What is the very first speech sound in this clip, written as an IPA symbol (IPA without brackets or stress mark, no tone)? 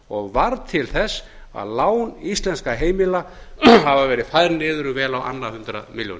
ɔ